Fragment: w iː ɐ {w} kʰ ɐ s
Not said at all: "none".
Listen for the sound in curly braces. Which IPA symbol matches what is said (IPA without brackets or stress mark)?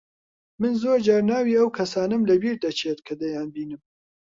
w